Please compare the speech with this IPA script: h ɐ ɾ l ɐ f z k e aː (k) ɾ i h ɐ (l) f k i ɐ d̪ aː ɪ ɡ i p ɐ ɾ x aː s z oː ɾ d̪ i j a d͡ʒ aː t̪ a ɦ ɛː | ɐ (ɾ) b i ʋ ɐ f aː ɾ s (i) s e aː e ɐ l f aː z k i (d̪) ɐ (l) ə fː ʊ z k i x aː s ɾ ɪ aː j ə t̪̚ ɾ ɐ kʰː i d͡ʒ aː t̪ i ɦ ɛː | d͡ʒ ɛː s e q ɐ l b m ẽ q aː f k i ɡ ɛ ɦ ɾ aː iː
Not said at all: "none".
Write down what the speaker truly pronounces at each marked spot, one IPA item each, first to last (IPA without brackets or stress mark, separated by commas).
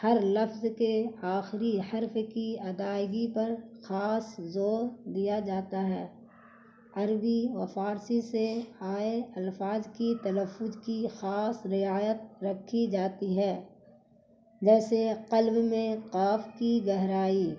x, ɾ, ɾ, i, t̪, l